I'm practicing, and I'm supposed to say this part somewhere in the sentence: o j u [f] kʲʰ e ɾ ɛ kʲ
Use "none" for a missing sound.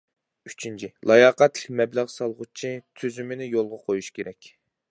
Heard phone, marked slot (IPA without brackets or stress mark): ʃ